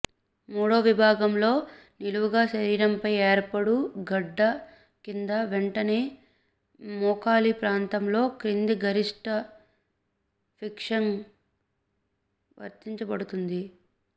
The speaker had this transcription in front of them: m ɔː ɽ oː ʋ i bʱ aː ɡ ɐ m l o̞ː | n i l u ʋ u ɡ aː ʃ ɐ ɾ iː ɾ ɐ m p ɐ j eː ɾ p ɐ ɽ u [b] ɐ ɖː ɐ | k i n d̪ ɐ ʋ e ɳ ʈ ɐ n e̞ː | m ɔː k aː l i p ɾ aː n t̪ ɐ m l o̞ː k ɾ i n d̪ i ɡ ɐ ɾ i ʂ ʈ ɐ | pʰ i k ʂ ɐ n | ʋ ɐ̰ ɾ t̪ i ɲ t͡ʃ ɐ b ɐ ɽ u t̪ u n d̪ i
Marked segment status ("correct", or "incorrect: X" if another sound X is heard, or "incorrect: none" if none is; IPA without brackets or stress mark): incorrect: ɡ